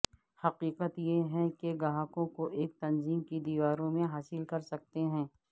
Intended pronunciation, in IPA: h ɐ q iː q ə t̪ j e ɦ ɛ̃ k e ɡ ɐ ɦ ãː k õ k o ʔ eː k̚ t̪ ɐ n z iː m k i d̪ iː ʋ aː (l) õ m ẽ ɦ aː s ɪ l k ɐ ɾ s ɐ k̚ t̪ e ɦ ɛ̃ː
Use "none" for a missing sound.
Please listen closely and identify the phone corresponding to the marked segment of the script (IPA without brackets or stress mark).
ɾ